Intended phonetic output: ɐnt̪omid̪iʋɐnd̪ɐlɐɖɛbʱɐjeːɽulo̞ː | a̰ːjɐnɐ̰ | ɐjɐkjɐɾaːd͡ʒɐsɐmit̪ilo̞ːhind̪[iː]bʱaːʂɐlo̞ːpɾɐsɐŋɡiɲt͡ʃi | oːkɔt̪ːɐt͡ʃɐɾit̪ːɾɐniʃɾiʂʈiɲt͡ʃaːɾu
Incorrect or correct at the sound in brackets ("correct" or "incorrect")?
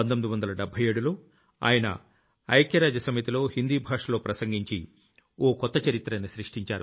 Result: correct